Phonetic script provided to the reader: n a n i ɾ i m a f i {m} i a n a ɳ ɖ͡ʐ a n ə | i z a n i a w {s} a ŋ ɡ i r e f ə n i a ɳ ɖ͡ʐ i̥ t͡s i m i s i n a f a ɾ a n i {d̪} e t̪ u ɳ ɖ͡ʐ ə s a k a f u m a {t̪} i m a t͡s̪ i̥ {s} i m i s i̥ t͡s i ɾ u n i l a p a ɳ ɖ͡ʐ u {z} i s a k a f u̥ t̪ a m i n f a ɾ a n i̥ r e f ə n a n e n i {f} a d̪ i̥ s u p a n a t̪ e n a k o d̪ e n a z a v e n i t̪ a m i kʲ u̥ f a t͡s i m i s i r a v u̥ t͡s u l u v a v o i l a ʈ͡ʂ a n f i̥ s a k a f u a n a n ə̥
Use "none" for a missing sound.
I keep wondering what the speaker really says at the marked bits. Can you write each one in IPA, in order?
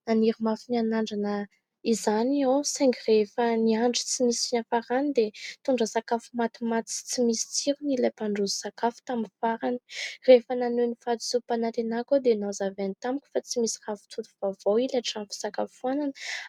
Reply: n, s, d̪, t̪, t͡s, z, f

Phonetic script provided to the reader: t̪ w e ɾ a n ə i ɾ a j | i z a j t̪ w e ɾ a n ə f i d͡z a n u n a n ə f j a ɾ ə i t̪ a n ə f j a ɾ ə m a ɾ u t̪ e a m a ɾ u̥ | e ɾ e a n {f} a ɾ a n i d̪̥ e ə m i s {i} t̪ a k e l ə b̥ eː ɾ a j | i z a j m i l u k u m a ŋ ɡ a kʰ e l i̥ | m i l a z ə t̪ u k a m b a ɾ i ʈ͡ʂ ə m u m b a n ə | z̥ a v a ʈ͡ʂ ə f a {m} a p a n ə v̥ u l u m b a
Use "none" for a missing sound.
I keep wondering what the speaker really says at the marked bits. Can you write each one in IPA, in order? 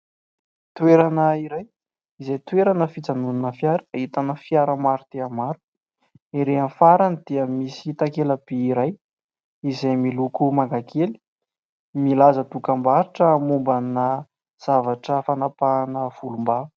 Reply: f, i, n

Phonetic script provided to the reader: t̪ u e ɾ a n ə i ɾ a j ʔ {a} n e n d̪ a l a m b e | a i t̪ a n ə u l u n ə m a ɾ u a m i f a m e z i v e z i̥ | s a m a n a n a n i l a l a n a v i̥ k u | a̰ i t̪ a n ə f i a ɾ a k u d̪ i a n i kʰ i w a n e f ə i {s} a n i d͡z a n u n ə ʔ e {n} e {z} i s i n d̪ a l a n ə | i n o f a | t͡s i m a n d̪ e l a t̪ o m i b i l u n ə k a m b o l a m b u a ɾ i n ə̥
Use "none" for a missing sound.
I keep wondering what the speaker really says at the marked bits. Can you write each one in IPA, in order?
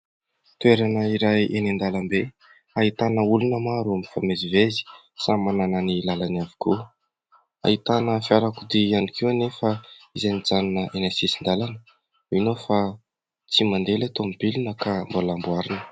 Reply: e, z, n, s

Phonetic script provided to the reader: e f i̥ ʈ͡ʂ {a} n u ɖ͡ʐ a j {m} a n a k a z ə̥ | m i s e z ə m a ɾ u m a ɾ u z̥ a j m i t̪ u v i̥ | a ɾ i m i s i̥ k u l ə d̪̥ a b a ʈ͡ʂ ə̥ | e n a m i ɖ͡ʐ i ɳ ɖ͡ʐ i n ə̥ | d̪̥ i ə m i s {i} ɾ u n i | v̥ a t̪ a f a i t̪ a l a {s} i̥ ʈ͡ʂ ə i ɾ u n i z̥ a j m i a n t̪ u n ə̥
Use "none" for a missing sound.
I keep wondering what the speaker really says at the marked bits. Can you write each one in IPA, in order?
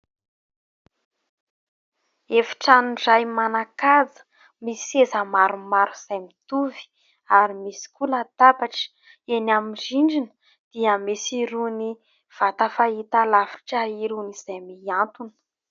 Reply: a, m, i, f

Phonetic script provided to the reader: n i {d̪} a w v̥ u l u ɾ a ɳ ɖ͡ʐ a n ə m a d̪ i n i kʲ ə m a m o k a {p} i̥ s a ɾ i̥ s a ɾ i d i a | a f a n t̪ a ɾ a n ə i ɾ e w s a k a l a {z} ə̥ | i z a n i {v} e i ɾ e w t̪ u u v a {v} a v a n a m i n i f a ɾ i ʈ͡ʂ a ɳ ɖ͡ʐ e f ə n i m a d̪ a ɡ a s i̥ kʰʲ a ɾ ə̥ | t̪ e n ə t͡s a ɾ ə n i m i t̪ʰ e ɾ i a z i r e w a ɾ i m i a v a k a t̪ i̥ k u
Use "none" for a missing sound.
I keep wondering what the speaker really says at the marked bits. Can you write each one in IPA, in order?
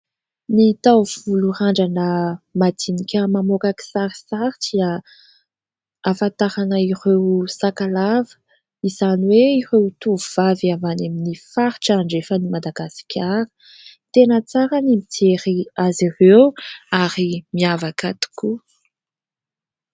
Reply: t̪, k, v, w, v

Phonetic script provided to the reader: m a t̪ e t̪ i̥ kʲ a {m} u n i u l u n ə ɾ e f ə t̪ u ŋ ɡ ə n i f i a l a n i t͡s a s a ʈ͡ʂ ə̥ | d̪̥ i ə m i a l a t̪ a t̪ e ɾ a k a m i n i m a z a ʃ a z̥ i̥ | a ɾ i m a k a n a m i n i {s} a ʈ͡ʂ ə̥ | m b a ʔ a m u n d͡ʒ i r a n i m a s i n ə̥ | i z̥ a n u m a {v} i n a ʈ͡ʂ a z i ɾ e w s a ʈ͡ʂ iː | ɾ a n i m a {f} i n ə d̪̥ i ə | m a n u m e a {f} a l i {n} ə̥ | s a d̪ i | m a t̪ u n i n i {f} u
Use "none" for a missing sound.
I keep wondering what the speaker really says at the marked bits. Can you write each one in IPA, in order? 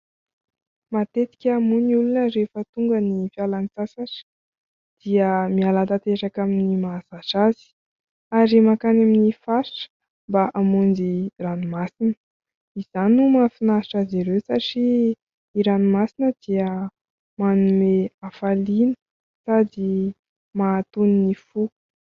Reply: m, f, f, s, f, n, f

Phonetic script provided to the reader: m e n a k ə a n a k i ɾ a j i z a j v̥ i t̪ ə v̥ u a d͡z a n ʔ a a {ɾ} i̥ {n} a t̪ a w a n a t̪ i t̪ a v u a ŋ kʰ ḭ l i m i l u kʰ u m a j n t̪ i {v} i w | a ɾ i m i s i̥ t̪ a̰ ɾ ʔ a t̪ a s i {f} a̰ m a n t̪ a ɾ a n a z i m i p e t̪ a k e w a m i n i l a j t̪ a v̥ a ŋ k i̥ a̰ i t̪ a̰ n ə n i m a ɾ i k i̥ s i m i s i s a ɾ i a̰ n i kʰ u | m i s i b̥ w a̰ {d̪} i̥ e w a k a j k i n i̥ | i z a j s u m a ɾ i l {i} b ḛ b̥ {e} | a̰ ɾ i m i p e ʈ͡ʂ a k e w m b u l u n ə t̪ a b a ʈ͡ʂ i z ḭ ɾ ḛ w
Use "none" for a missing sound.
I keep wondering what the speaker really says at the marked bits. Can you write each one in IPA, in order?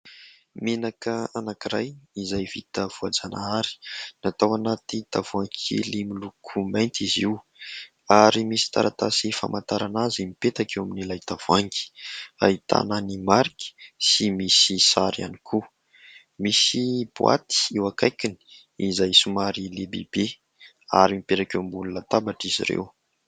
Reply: ɾ, n, z, f, t̪, e, e

